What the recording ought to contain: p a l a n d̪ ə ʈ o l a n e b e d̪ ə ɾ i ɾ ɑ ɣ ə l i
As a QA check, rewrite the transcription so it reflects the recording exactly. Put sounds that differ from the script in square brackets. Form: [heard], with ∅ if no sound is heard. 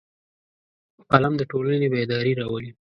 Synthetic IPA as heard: p a l a [m] d̪ ə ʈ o l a n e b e d̪ [ɑ] ɾ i ɾ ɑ [w] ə l i